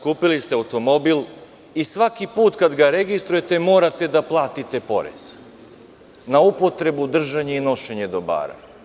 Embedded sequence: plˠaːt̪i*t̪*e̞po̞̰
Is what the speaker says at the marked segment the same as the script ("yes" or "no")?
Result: yes